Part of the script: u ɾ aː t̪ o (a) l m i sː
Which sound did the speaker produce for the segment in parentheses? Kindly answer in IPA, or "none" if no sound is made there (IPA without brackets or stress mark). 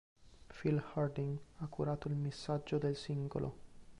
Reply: i